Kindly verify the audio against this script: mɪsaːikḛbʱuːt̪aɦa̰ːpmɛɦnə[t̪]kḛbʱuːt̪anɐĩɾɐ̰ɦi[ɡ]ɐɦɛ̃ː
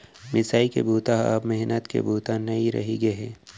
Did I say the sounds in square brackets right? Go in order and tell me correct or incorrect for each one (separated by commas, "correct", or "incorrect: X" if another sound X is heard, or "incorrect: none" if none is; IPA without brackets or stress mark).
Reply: correct, correct